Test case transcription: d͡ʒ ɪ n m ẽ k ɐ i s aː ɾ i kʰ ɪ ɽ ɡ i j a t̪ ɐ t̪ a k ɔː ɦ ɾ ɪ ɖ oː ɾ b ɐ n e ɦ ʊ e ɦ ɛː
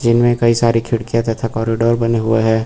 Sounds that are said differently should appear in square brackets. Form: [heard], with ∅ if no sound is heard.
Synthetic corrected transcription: d͡ʒ ɪ n m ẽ k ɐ i s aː ɾ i kʰ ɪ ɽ [k] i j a t̪ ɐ [t̪ʰ] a k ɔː [∅] ɾ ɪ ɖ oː ɾ b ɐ n e ɦ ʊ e ɦ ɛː